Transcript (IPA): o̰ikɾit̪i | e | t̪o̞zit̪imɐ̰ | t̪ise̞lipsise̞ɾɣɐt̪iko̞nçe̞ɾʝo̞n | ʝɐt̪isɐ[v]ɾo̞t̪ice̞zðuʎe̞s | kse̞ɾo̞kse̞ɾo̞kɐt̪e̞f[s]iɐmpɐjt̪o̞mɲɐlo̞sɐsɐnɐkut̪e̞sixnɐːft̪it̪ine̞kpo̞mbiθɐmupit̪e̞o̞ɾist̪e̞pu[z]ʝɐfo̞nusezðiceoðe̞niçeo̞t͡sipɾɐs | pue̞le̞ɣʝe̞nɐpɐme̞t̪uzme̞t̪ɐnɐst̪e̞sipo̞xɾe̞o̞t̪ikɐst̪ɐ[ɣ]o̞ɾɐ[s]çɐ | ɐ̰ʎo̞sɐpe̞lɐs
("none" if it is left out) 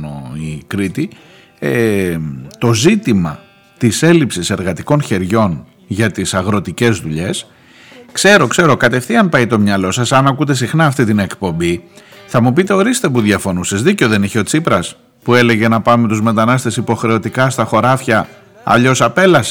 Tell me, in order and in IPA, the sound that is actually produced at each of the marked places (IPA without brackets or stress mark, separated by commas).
ɣ, θ, ð, x, f